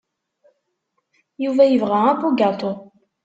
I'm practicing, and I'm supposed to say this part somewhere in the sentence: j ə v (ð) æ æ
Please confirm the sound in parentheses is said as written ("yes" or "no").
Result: no